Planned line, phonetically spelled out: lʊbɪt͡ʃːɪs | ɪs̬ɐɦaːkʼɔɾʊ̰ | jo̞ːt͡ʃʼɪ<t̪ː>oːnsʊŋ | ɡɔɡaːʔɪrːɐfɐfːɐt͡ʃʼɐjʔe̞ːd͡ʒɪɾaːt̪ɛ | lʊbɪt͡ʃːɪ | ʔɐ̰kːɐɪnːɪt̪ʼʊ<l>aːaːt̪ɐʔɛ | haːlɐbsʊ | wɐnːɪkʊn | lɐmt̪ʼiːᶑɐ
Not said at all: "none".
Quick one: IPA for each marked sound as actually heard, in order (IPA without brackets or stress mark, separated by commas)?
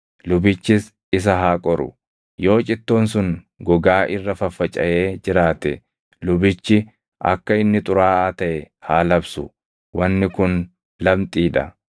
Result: t̪ː, ɾ